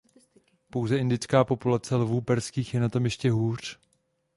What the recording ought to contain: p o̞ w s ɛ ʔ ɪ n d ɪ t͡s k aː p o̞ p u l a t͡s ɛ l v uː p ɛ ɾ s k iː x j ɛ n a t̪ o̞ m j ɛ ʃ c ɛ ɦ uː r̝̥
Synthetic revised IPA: p o̞ w z ɛ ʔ ɪ n d ɪ t͡s k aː p o̞ p u l a t͡s ɛ l v uː p ɛ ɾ s k iː x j ɛ n a t̪ o̞ m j ɛ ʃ c ɛ ɦ uː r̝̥